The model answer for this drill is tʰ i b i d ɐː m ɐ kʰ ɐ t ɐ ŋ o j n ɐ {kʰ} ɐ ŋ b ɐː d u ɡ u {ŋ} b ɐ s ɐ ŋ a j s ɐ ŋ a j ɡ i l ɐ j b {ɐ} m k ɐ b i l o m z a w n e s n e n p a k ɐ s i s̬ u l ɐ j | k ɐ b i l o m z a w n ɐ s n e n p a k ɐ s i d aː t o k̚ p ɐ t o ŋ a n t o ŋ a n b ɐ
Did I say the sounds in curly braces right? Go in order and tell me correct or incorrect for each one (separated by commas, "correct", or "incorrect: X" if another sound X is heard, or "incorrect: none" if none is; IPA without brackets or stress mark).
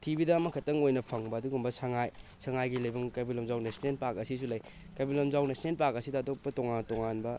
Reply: incorrect: pʰ, incorrect: m, correct